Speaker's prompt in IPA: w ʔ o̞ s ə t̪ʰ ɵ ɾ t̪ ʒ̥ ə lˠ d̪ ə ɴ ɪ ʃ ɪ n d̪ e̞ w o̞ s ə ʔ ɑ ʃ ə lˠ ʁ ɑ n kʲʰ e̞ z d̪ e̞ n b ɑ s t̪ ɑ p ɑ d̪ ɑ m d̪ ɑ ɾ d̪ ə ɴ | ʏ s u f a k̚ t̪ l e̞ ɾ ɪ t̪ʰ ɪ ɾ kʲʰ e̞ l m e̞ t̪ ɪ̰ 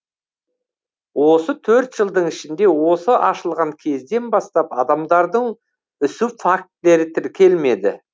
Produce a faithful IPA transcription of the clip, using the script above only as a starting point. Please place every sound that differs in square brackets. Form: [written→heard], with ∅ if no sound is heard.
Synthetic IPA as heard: w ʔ o̞ s ə t̪ʰ ɵ ɾ t̪ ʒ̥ ə lˠ d̪ ə ɴ ɪ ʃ ɪ n d̪ e̞ w o̞ s ə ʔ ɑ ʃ ə lˠ ʁ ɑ [n→ŋ] kʲʰ e̞ z d̪ e̞ n b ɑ s t̪ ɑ p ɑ d̪ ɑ m d̪ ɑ ɾ d̪ ə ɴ | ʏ s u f a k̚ t̪ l e̞ ɾ ɪ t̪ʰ ɪ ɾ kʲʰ e̞ l m e̞ [t̪→d̪] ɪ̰